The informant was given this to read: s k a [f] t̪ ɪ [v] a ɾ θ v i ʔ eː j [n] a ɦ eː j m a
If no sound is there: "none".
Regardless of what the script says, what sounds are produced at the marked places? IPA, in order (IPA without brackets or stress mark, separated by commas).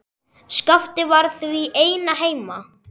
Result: f, v, n